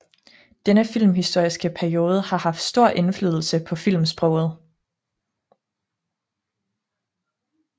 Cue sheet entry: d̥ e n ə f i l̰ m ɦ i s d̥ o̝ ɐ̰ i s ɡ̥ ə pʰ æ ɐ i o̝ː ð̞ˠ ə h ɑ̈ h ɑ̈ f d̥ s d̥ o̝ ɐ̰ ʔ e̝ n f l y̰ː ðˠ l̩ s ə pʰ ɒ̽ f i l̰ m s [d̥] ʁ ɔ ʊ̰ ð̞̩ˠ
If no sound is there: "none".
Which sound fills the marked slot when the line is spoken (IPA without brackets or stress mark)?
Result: b̥